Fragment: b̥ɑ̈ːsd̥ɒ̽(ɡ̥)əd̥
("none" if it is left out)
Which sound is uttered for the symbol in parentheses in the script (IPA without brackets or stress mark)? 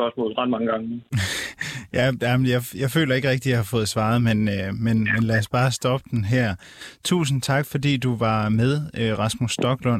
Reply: b̥